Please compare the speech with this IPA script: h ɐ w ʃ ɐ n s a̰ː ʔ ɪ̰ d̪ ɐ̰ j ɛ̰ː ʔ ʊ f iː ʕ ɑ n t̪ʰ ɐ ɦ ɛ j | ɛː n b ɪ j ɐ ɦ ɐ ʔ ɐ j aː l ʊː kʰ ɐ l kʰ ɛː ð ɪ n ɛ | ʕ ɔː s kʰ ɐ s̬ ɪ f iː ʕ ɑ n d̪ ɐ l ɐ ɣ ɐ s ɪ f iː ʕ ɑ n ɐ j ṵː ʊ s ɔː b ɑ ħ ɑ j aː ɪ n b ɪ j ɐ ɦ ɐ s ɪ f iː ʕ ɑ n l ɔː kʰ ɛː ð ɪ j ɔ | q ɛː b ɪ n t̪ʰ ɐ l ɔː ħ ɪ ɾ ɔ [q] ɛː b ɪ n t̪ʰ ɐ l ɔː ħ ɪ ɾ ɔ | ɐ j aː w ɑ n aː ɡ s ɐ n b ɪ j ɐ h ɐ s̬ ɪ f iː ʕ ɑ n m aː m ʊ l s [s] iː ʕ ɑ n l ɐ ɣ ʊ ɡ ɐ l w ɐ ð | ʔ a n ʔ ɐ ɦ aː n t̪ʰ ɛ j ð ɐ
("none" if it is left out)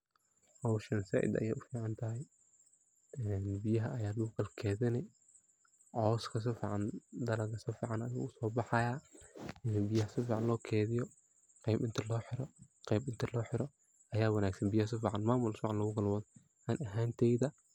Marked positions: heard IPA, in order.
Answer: q, f

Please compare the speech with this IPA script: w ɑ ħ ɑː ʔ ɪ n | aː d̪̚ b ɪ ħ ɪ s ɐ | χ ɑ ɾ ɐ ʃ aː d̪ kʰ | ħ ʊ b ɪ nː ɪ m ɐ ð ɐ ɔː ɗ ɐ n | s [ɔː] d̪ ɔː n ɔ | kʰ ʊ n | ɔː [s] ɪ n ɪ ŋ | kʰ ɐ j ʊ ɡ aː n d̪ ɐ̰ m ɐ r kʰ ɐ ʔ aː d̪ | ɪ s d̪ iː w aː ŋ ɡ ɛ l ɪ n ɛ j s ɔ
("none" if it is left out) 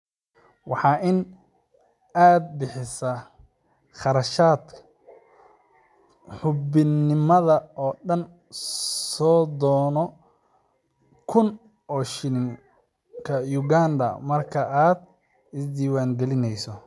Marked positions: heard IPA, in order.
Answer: ɔː, ʃ

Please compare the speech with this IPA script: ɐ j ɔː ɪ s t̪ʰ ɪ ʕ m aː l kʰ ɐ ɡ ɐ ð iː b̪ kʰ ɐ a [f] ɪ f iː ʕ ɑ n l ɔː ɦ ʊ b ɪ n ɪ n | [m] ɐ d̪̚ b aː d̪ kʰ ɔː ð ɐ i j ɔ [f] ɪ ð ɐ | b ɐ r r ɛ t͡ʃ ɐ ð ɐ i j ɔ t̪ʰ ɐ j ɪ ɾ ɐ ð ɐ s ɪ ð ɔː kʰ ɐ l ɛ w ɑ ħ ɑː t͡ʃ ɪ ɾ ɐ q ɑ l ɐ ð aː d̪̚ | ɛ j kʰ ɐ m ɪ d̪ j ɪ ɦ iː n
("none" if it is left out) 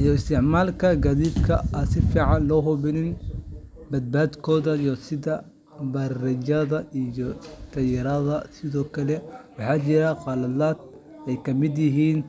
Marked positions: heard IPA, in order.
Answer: s, b, s

